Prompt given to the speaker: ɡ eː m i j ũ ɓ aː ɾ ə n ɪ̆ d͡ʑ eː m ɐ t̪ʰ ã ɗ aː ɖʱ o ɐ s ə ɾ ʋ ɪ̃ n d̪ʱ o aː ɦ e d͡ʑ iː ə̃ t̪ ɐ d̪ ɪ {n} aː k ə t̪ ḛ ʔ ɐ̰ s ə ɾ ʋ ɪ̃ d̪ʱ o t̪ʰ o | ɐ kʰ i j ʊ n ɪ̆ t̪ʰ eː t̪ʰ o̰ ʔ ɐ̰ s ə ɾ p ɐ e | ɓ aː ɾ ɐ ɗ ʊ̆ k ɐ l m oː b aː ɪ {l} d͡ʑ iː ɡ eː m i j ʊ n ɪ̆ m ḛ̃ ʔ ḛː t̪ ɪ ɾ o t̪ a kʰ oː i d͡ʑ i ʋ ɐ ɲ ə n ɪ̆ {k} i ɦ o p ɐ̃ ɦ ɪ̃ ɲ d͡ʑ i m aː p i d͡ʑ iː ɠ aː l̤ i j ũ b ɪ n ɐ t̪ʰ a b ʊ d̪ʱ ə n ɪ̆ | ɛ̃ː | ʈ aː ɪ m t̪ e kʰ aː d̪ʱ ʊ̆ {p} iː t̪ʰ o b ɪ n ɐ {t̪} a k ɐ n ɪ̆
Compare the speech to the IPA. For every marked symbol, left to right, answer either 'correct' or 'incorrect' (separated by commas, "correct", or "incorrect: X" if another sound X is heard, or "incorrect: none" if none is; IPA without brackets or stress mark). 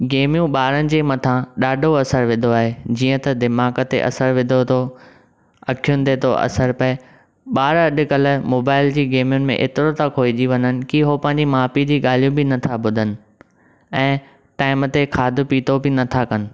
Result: incorrect: m, correct, correct, correct, incorrect: t̪ʰ